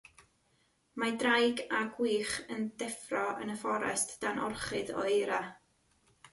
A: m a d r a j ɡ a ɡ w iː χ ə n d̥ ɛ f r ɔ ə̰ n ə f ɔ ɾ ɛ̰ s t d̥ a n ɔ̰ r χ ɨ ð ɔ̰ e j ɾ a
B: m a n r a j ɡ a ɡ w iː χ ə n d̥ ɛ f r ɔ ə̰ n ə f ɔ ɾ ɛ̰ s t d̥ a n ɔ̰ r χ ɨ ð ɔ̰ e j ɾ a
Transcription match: A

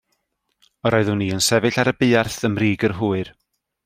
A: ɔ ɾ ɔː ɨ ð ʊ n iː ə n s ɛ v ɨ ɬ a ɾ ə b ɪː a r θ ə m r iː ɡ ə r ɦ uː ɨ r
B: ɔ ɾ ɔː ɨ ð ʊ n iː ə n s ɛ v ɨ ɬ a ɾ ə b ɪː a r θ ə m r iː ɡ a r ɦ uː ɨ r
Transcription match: A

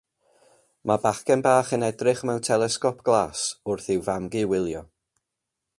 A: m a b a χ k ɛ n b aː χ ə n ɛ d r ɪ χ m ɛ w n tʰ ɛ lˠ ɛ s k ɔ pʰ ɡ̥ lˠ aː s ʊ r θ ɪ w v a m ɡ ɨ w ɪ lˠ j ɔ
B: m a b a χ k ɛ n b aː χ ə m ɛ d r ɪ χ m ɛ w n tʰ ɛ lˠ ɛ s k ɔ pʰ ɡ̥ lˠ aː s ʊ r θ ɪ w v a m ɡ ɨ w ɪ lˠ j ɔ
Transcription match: A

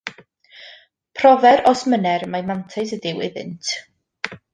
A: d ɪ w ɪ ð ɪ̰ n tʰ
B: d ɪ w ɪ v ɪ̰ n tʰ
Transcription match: A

